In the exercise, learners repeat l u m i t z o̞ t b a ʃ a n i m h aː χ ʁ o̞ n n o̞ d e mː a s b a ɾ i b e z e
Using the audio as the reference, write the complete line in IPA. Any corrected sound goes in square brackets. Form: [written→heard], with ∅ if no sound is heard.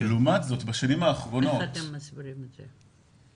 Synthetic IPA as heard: l u m [i→a] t z o̞ t b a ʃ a n i m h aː χ ʁ o̞ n n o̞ [d→t] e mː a s b [a→i] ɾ i [b→m] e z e